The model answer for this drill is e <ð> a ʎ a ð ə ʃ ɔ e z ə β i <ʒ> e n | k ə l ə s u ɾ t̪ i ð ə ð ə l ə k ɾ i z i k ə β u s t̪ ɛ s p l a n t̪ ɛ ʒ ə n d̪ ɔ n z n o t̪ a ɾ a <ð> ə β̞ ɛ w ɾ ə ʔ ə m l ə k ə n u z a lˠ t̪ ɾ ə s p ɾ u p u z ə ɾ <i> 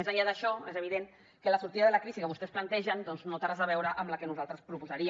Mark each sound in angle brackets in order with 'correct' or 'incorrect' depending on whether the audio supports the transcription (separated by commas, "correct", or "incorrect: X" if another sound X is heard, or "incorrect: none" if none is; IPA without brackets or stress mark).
incorrect: z, incorrect: ð, incorrect: z, correct